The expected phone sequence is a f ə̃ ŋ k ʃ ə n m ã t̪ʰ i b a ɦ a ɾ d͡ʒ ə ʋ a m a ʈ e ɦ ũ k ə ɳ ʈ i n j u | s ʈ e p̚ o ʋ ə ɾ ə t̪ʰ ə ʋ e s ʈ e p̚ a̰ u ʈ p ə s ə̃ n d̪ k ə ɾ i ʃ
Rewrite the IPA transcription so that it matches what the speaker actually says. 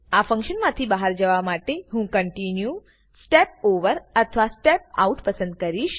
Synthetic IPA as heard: a f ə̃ ŋ k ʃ ə n m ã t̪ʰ i b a ɦ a ɾ d͡ʒ ə ʋ a m a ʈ e ɦ ũ k ə ɳ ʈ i n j u | s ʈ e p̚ o ʋ ə ɾ ə t̪ʰ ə ʋ a s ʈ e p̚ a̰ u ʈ p ə s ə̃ n d̪ k ə ɾ i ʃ